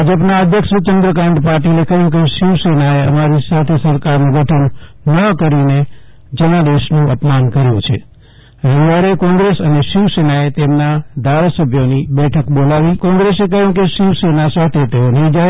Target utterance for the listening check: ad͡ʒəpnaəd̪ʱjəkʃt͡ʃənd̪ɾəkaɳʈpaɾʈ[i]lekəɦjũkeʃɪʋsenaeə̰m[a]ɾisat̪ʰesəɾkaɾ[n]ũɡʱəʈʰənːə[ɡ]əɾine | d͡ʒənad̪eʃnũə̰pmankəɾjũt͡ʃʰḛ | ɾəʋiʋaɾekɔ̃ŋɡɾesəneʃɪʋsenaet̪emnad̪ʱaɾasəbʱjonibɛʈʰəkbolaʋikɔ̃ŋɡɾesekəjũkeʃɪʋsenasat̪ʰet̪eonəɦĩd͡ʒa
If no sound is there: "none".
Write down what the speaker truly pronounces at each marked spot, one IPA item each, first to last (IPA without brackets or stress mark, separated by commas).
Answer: i, a, n, k